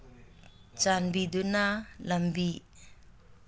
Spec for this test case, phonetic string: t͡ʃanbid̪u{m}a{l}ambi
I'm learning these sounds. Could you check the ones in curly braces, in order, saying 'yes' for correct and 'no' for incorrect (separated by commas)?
no, yes